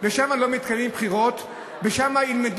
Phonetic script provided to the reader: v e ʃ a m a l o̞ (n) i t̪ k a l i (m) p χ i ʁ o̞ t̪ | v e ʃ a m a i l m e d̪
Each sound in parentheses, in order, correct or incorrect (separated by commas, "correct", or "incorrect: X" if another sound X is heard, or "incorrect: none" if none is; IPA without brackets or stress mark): incorrect: m, correct